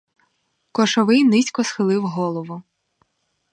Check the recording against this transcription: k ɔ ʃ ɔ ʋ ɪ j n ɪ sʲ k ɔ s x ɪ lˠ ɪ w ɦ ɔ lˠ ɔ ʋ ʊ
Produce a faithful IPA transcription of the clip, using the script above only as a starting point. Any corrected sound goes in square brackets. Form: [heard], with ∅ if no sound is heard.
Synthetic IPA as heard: k ɔ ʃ ɔ ʋ ɪ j n ɪ sʲ k ɔ s x ɪ lˠ ɪ w ɦ ɔ lˠ ɔ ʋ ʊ